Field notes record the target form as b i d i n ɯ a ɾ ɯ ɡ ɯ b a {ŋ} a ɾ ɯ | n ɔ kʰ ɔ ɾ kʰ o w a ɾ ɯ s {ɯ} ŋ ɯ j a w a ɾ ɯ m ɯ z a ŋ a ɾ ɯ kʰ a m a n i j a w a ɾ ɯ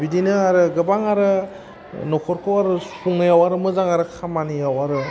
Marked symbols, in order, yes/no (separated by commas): yes, no